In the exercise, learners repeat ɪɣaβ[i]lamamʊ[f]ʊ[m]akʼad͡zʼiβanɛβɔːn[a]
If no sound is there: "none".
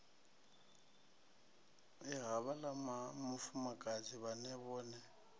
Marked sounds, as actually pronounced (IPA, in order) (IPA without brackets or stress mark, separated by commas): a, f, m, ɛ